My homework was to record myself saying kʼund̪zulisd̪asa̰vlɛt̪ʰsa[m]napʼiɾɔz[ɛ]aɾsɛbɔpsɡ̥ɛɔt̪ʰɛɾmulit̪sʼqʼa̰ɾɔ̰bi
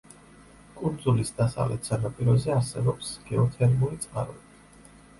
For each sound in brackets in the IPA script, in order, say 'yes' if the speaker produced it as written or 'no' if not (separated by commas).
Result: no, yes